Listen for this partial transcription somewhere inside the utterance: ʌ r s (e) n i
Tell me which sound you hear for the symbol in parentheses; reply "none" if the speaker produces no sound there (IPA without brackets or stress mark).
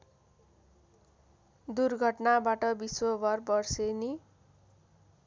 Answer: e